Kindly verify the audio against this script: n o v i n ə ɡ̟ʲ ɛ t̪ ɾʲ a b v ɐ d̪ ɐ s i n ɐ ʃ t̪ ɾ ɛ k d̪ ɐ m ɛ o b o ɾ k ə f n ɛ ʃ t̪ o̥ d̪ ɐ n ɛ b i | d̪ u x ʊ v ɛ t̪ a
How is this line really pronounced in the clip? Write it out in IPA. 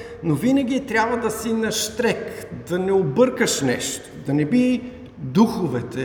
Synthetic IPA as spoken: n o v i n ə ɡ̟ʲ i t̪ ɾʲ a b v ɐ d̪ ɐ s i n ɐ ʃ t̪ ɾ ɛ k d̪ ɐ n ɛ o b ɤ ɾ k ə ʃ n ɛ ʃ t̪ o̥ d̪ ɐ n ɛ b i | d̪ u x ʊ v ɛ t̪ ɛ